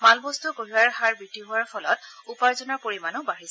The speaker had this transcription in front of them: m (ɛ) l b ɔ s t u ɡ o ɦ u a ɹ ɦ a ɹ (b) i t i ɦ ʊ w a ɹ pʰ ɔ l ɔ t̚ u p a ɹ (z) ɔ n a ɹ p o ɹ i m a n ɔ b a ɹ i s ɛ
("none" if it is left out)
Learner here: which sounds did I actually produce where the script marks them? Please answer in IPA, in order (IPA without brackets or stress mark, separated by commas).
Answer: a, b, z